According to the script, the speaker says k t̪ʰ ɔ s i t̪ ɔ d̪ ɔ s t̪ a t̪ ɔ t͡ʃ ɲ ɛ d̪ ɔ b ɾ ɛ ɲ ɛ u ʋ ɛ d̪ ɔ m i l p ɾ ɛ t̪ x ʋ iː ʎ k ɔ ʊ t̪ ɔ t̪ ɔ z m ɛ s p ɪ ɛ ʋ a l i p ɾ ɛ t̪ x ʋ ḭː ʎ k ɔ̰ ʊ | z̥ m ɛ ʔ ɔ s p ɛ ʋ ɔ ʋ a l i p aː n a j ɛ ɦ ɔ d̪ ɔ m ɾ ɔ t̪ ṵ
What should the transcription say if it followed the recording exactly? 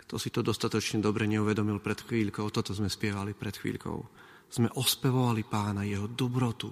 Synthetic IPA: k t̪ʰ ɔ s i t̪ ɔ d̪ ɔ s t̪ a t̪ ɔ t͡ʃ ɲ ɛ d̪ ɔ b ɾ ɛ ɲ ɛ u ʋ ɛ d̪ ɔ m i l p ɾ ɛ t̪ x ʋ iː ʎ k ɔ ʊ t̪ ɔ t̪ ɔ z m ɛ s p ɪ ɛ ʋ a l i p ɾ ɛ t̪ x ʋ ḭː ʎ k ɔ̰ ʊ | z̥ m ɛ ʔ ɔ s p ɛ ʋ ɔ ʋ a l i p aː n a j ɛ ɦ ɔ d̪ ɔ b ɾ ɔ t̪ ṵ